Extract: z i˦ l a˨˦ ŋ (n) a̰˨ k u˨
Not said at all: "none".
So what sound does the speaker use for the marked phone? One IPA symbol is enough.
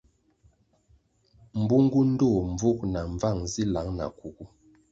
n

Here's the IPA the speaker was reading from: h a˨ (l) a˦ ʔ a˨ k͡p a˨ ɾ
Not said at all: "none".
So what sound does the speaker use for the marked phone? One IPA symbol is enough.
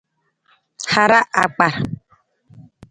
ɾ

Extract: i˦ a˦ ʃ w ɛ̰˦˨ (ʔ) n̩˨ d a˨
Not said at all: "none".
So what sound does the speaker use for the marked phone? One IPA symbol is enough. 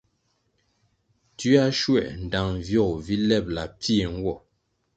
ʔ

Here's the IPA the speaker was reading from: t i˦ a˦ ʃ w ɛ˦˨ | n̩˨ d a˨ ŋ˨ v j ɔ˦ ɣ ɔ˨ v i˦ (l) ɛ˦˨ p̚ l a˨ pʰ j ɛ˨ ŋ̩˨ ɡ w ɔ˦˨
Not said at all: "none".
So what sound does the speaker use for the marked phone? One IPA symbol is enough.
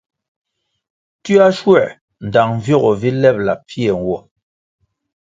l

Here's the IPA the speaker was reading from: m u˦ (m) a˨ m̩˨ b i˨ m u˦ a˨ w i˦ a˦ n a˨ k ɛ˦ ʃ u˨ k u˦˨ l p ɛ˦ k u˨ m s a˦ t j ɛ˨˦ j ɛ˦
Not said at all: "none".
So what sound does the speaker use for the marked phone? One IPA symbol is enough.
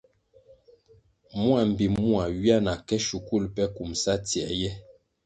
none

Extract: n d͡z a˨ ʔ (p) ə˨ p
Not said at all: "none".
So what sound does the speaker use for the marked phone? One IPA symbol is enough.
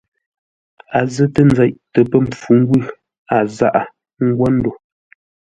t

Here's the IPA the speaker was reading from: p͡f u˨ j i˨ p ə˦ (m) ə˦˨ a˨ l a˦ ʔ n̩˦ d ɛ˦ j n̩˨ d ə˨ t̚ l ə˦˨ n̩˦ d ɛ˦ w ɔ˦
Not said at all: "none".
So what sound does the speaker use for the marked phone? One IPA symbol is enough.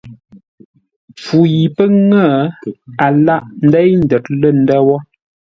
ŋ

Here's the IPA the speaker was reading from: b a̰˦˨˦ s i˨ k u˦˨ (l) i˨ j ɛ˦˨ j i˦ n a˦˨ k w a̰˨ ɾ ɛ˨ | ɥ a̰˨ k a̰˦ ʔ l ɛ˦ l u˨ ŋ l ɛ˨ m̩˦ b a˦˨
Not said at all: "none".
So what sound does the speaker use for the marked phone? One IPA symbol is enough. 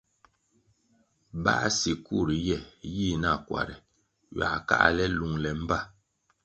ɾ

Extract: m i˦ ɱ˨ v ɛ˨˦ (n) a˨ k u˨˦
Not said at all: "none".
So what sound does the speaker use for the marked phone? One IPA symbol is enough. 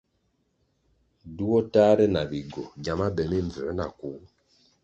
n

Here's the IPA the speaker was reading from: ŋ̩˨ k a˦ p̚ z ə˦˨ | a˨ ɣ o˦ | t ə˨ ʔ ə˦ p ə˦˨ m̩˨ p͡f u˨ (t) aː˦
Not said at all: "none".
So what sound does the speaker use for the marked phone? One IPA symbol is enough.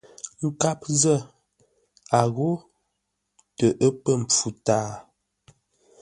t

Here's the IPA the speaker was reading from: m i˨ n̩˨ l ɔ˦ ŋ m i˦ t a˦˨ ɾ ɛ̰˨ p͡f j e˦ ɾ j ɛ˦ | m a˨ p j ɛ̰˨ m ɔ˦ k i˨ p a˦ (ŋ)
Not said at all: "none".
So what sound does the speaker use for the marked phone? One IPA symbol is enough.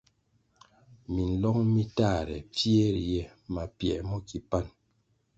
n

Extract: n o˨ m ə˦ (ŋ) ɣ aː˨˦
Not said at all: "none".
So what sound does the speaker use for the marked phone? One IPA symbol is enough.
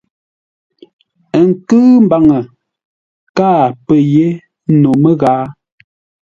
none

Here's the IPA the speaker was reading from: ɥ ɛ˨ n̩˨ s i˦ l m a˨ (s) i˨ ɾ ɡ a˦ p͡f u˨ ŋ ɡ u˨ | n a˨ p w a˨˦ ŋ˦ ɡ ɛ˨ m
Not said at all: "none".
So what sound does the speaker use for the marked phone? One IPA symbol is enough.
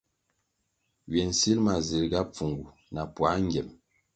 z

